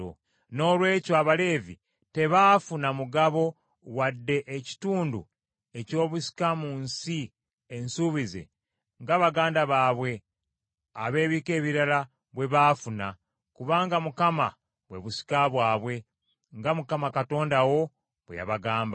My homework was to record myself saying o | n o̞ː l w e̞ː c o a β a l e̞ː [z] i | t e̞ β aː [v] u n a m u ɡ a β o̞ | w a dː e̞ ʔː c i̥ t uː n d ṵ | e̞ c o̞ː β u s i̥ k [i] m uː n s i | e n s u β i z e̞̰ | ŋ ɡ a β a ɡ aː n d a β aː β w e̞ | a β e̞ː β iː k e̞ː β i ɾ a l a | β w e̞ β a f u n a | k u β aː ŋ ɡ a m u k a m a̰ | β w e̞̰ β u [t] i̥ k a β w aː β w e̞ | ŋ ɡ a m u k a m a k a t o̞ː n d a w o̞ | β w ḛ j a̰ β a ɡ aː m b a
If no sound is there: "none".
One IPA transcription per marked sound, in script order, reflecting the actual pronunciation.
v, f, a, s

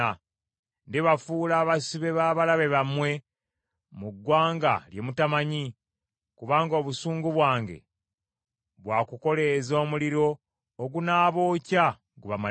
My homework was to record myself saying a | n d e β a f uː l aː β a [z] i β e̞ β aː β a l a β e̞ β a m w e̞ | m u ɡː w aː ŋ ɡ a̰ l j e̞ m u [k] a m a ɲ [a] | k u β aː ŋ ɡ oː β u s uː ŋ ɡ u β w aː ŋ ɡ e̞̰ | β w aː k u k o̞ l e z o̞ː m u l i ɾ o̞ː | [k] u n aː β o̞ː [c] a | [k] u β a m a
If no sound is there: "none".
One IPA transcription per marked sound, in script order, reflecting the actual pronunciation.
s, t, i, ɡ, c, ɡ

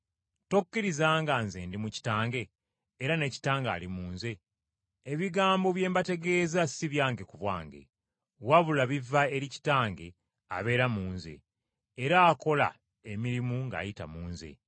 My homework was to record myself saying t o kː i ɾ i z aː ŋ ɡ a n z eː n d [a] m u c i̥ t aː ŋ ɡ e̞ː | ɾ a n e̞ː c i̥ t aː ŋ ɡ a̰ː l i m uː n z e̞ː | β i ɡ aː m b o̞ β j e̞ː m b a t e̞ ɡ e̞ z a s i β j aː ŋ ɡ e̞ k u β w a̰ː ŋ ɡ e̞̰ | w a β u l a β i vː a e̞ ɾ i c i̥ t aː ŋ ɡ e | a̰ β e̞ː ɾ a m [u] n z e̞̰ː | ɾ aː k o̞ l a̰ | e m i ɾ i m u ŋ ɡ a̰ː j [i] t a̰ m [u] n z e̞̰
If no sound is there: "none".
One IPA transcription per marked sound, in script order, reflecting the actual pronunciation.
i, uː, i, uː

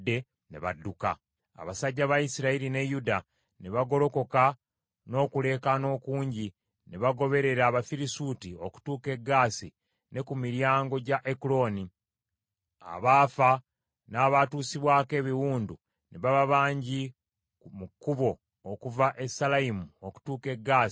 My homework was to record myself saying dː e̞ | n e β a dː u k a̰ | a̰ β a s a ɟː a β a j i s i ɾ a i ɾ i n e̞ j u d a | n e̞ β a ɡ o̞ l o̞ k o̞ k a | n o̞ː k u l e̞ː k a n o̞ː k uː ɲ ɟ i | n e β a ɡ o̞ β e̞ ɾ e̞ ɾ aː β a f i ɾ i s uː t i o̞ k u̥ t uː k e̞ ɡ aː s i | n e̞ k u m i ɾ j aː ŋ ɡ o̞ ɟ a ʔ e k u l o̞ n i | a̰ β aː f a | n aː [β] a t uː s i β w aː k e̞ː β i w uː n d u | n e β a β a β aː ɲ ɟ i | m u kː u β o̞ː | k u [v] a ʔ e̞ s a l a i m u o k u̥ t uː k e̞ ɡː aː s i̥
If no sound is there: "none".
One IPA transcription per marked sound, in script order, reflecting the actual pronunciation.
β, v

